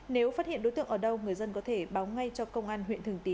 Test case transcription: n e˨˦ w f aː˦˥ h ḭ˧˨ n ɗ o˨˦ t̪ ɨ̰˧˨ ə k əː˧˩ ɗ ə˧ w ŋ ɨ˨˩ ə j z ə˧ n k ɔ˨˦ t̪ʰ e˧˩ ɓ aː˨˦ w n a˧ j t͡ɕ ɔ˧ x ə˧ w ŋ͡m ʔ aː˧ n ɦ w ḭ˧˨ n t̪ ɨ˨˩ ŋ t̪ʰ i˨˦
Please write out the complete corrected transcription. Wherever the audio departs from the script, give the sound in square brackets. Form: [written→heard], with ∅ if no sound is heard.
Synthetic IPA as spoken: n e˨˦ w f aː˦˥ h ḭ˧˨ n ɗ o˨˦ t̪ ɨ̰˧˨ ə [k→ʔ] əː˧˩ ɗ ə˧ w ŋ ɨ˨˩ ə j z ə˧ n k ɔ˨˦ t̪ʰ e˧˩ ɓ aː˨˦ w [n→ŋ] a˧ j t͡ɕ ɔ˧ [x→k] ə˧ w ŋ͡m ʔ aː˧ n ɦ w ḭ˧˨ n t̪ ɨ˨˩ ŋ [t̪ʰ→t̪] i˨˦